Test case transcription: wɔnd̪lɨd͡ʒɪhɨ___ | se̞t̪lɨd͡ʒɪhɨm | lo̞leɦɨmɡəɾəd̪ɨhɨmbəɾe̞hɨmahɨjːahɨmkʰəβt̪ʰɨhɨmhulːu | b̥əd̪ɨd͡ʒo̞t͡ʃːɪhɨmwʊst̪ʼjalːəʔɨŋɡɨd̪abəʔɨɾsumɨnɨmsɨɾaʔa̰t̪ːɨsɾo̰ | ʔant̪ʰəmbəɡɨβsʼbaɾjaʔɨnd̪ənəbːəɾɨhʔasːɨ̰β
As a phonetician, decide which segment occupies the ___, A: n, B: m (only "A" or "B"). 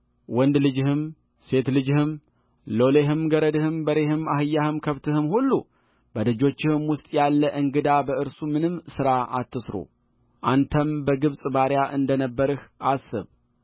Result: B